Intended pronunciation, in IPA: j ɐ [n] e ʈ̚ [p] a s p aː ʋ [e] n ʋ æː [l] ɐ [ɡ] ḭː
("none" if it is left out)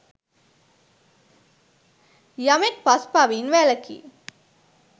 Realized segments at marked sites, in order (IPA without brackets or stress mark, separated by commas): m, p, i, l, k